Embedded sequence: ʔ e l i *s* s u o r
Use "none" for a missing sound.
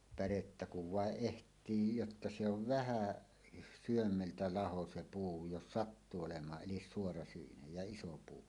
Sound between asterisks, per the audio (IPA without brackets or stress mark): s